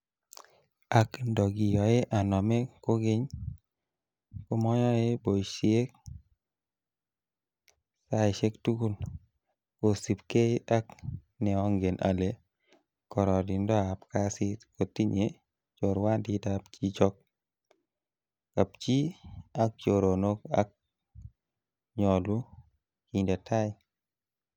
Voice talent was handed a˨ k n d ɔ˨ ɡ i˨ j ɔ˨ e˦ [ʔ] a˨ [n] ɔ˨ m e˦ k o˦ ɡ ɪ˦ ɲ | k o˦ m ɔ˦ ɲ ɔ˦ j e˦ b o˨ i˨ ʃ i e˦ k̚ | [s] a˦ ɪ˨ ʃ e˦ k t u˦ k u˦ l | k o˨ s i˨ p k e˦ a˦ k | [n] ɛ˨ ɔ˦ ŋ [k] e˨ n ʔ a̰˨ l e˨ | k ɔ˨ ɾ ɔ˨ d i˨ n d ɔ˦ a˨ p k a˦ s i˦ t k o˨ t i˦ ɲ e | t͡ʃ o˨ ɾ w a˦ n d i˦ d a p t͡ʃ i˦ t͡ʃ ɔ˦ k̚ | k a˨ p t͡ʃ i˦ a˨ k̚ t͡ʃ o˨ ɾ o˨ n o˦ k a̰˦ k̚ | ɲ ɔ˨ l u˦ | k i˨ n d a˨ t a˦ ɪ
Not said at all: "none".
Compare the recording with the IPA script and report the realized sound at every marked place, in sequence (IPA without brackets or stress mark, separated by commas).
ʔ, n, s, n, ɡ